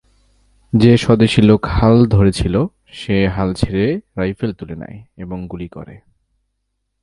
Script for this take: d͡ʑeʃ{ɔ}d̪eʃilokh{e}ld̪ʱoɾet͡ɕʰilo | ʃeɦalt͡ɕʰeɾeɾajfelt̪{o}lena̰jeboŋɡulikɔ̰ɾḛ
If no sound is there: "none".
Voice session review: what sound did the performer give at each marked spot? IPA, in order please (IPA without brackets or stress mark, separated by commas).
ɔ, a, u